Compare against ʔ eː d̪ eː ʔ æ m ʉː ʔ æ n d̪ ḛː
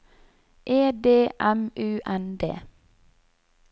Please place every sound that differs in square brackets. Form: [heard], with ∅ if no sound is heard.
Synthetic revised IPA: ʔ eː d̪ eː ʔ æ m ʉː ʔ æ n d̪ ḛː

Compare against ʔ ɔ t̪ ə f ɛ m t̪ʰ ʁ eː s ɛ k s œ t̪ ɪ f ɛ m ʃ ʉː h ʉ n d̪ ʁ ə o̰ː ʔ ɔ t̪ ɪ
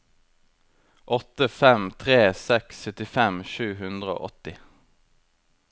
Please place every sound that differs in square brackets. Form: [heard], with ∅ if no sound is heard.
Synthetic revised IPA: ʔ ɔ t̪ ə f ɛ m t̪ʰ ʁ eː s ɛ k s œ t̪ ɪ f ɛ m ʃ ʉː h ʉ n d̪ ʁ ə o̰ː ʔ ɔ t̪ ɪ

